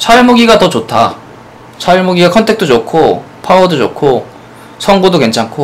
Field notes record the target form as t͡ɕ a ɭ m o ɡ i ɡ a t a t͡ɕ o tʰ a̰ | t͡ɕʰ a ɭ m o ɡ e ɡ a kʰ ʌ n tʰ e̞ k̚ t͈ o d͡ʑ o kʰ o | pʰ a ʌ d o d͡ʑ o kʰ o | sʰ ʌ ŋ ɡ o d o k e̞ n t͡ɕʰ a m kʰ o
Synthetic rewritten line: t͡ɕʰ a ɭ m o ɡ i ɡ a t ʌ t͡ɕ o tʰ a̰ | t͡ɕʰ a ɭ m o ɡ i ɡ a kʰ ʌ n tʰ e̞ k̚ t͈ o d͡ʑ o kʰ o | pʰ a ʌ d o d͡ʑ o kʰ o | sʰ ʌ ŋ ɡ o d o k e̞ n t͡ɕʰ a ŋ kʰ o